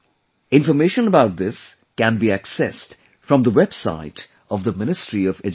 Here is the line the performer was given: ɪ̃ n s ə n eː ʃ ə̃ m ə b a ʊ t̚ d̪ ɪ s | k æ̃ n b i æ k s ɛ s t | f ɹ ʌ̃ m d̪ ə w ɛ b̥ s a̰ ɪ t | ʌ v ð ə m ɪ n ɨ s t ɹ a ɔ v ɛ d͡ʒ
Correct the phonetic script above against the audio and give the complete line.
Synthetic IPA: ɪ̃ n f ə m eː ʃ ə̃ n ə b a ʊ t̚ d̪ ɪ s | k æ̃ n b i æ k s ɛ s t | f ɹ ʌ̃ m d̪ ə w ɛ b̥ s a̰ ɪ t | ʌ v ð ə m ɪ n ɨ s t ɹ i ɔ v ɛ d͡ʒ